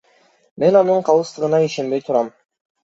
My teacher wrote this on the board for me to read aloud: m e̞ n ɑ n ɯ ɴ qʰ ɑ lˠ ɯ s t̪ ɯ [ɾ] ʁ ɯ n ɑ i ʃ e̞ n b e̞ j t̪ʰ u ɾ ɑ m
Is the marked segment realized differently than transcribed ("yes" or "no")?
yes